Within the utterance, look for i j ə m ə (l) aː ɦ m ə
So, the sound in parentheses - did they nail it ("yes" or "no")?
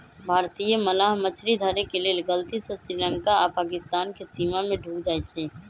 yes